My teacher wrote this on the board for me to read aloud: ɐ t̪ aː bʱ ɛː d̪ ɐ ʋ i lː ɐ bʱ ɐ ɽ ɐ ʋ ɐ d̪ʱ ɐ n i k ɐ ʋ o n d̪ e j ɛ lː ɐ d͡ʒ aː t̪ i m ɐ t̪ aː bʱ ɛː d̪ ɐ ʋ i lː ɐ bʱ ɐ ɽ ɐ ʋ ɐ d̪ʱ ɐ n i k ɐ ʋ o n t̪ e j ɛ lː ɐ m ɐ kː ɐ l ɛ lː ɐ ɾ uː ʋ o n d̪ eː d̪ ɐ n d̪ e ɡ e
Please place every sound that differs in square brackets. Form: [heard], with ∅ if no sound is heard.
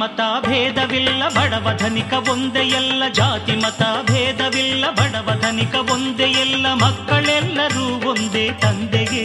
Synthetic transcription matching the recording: ɐ t̪ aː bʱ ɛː d̪ ɐ ʋ i lː ɐ bʱ ɐ ɽ ɐ ʋ ɐ d̪ʱ ɐ n i k ɐ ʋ o n d̪ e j ɛ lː ɐ d͡ʒ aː t̪ i m ɐ t̪ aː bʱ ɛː d̪ ɐ ʋ i lː ɐ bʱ ɐ ɽ ɐ ʋ ɐ d̪ʱ ɐ n i k ɐ ʋ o n [d̪] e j ɛ lː ɐ m ɐ kː ɐ [ɭ] ɛ lː ɐ ɾ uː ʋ o n d̪ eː [t̪] ɐ n d̪ e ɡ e